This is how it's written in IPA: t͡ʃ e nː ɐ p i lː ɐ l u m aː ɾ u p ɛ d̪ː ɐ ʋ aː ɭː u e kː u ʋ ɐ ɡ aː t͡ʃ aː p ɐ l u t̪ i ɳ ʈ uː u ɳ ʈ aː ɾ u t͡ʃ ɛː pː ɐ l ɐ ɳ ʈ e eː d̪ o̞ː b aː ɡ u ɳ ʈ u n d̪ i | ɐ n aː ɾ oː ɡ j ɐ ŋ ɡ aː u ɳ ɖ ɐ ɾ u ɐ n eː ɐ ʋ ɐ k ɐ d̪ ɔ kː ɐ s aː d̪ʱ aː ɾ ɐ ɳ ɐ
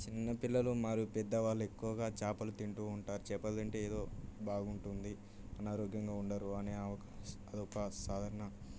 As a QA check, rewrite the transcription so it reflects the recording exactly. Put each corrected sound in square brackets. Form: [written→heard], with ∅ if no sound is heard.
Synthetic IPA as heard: t͡ʃ [e→i] nː ɐ p i lː ɐ l u m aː ɾ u p ɛ d̪ː ɐ ʋ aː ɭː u e kː u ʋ ɐ ɡ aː t͡ʃ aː p ɐ l u t̪ i ɳ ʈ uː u ɳ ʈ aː ɾ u t͡ʃ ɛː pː ɐ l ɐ ɳ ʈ e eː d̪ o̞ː b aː ɡ u ɳ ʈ u n d̪ i | ɐ n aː ɾ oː ɡ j ɐ ŋ ɡ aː u ɳ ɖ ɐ ɾ u ɐ n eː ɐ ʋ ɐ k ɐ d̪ ɔ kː ɐ s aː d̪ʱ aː ɾ ɐ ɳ ɐ